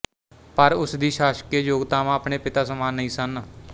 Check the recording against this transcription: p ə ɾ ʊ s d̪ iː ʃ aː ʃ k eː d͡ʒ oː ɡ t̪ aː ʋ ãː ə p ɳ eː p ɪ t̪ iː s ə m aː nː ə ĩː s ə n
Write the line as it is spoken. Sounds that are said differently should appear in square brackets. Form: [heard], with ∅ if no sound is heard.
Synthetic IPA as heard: p ə ɾ ʊ s d̪ iː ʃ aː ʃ k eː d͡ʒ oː ɡ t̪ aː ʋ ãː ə p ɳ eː p ɪ t̪ [aː] s ə m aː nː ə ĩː s ə n